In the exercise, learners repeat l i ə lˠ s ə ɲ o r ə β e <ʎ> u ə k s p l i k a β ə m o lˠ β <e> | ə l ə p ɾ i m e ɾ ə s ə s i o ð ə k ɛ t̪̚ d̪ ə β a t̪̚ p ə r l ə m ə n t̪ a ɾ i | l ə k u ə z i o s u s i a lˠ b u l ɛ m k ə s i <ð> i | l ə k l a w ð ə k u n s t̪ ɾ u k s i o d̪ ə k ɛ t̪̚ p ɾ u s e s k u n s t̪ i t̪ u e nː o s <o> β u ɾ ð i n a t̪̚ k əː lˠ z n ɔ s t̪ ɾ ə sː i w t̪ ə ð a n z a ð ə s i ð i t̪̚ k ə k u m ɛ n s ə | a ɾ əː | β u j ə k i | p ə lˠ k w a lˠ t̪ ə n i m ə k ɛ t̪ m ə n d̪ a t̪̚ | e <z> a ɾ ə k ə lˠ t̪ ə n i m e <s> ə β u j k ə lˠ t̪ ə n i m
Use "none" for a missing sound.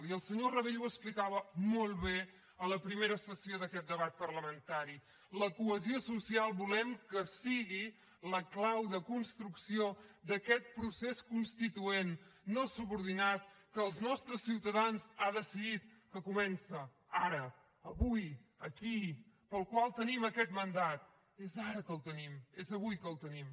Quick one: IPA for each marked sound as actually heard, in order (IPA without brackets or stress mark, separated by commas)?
ʎ, e, ɣ, u, z, z